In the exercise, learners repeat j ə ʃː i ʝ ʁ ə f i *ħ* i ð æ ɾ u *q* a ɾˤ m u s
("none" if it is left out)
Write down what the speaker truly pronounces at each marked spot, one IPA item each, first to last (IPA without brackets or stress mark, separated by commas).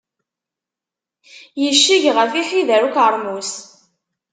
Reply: ħ, k